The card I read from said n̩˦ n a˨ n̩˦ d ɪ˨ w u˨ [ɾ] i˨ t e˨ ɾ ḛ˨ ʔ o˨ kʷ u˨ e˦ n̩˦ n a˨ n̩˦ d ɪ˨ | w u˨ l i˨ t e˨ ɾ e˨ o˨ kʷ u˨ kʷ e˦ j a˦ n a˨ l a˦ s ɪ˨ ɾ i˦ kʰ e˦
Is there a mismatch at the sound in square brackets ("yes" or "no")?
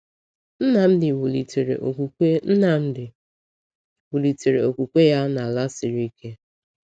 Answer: yes